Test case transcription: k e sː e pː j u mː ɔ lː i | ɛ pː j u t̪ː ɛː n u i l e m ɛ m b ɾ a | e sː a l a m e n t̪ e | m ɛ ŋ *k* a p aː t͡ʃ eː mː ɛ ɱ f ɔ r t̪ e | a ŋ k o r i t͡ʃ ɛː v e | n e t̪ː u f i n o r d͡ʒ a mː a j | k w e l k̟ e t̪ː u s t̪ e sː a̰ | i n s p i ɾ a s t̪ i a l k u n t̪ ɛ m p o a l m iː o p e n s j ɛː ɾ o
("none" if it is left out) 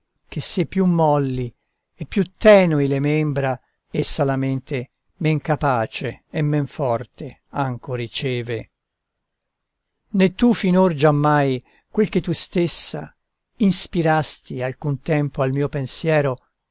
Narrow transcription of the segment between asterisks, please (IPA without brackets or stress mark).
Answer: k